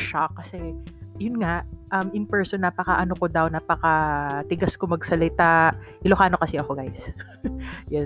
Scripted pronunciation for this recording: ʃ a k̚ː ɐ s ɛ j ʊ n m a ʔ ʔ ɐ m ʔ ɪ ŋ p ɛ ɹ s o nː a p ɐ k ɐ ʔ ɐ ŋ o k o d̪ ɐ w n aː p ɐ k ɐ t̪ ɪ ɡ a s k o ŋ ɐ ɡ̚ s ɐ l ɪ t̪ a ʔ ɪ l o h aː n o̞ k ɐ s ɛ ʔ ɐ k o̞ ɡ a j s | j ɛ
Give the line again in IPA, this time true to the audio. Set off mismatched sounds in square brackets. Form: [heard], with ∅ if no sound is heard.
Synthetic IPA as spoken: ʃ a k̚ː ɐ s ɛ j ʊ n [ŋ] a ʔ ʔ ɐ m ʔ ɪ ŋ p ɛ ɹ s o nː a p ɐ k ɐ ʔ ɐ [n] o k o d̪ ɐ w n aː p ɐ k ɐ t̪ ɪ ɡ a s k o [m] ɐ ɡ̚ s ɐ l ɪ t̪ a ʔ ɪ l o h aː n o̞ k ɐ s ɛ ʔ ɐ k o̞ ɡ a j s | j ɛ